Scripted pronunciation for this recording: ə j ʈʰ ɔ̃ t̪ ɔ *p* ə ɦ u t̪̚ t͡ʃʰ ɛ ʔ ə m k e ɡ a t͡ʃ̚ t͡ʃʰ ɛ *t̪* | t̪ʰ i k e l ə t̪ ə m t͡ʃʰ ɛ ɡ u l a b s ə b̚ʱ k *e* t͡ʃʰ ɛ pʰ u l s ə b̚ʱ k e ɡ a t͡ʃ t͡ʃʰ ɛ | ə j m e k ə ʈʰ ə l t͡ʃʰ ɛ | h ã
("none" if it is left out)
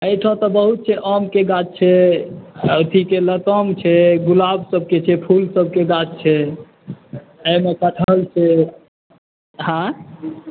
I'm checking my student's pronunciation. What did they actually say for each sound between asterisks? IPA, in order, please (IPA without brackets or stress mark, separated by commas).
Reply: b, none, e